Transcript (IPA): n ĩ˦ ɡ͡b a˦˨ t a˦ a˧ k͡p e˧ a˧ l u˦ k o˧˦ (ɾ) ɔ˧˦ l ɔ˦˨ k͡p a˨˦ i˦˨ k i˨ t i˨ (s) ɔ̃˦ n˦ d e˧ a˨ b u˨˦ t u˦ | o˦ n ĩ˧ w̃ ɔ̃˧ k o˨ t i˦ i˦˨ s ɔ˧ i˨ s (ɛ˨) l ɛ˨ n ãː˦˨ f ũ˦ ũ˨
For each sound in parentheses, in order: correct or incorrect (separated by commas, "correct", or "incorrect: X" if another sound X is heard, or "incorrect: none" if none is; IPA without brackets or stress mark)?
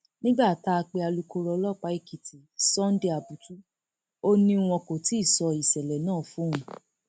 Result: correct, correct, correct